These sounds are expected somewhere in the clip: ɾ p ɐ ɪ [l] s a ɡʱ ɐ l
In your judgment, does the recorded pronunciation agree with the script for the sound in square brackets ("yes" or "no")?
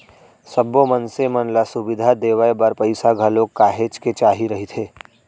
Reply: no